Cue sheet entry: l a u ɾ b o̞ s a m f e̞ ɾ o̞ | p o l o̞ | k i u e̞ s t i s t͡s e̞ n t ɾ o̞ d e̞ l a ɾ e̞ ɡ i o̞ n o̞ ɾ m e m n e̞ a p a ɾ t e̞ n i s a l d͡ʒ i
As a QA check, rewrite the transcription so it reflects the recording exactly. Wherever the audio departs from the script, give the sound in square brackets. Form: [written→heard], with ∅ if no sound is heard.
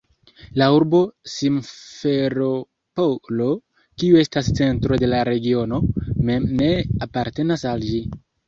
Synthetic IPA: l a u ɾ b o̞ s [a→i] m f e̞ ɾ o̞ | p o l o̞ | k i u e̞ s t [i→a] s t͡s e̞ n t ɾ o̞ d e̞ l a ɾ e̞ ɡ i o̞ n o̞ [ɾ→∅] m e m n e̞ a p a ɾ t e̞ n [i→a] s a l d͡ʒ i